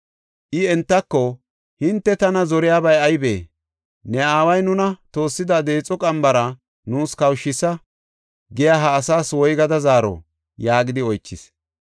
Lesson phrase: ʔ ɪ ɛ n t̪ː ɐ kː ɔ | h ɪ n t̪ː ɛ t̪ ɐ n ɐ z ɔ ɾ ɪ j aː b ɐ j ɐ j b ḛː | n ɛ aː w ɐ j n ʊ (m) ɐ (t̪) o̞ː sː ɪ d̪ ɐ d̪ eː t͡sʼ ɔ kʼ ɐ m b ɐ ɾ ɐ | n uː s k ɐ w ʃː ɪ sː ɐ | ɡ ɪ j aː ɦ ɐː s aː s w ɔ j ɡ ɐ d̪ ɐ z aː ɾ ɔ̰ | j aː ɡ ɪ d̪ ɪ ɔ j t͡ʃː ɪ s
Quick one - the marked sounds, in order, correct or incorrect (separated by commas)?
incorrect, correct